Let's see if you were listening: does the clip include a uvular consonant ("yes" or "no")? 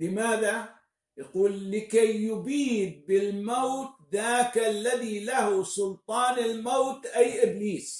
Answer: yes